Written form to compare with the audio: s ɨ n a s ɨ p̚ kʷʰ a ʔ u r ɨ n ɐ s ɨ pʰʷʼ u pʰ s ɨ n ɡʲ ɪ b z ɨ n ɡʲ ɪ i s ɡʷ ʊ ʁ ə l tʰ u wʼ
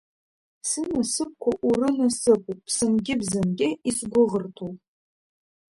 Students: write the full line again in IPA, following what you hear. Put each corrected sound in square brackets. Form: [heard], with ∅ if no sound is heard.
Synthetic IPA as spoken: s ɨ n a s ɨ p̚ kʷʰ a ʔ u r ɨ n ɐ s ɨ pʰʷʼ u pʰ s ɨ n ɡʲ ɪ b z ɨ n ɡʲ ɪ i s ɡʷ ʊ ʁ ə [r] tʰ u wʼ